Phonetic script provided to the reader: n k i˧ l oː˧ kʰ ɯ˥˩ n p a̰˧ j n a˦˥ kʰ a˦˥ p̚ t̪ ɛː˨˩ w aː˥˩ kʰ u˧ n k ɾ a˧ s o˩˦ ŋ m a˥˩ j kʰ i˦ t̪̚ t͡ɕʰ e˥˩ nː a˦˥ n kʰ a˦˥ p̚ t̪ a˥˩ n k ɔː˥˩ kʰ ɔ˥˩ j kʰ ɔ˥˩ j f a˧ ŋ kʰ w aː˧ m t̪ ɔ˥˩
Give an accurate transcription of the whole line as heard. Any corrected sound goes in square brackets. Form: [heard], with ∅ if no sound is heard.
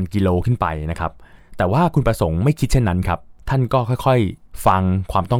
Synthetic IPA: n k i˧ l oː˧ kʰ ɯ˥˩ n p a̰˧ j n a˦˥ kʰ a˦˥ p̚ t̪ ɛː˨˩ w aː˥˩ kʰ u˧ n [p] ɾ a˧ s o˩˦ ŋ m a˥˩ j kʰ i˦ t̪̚ t͡ɕʰ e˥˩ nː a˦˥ n kʰ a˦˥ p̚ [t̪ʰ] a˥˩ n k ɔː˥˩ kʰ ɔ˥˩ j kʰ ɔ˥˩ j f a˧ ŋ kʰ w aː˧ m t̪ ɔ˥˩